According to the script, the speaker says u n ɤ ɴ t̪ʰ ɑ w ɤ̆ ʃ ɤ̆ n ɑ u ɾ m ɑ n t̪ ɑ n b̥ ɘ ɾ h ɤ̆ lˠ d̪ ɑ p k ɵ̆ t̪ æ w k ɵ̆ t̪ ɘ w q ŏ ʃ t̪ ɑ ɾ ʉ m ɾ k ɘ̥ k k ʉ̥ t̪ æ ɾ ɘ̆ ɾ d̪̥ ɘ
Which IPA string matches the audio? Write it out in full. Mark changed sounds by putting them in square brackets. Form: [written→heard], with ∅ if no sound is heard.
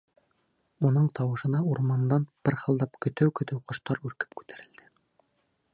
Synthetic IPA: u n ɤ ɴ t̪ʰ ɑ w ɤ̆ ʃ ɤ̆ n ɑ u ɾ m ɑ n [t̪→d̪] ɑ n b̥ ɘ ɾ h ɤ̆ lˠ d̪ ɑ p k ɵ̆ t̪ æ w k ɵ̆ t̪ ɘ w q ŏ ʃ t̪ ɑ ɾ ʉ [m→∅] ɾ k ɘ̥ [k→p] k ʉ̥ t̪ æ ɾ ɘ̆ [ɾ→l] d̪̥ ɘ